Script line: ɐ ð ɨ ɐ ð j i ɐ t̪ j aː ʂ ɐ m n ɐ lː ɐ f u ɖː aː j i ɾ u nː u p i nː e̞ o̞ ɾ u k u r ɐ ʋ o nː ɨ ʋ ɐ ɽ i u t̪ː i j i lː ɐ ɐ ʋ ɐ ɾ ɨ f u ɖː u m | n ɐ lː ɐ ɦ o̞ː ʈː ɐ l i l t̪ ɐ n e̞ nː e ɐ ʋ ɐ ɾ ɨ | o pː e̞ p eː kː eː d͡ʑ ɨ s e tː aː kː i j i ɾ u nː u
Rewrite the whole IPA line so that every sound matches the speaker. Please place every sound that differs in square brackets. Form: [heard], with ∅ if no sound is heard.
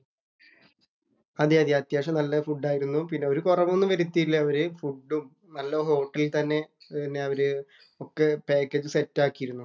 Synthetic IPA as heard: ɐ ð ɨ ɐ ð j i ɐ t̪ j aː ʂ ɐ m n ɐ lː ɐ f u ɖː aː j i ɾ u nː u p i nː e̞ o̞ ɾ u k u r ɐ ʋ o nː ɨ ʋ ɐ [ɾ] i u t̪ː i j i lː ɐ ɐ ʋ ɐ ɾ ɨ f u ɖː u m | n ɐ lː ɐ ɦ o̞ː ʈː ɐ l i l t̪ ɐ [nː] e̞ nː e ɐ ʋ ɐ ɾ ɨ | o [kː] e̞ p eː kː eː d͡ʑ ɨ s e tː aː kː i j i ɾ u nː u